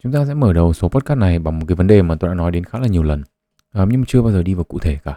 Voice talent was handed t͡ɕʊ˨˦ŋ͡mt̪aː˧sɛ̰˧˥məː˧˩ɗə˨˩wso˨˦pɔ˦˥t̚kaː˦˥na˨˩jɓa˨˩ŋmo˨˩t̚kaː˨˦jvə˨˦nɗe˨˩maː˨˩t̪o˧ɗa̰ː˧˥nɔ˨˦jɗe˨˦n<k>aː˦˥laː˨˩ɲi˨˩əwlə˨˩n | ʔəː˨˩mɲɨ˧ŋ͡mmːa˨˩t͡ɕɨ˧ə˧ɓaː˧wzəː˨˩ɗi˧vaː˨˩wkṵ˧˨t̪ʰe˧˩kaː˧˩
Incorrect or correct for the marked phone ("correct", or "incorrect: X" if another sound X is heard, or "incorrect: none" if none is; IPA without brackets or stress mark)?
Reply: incorrect: x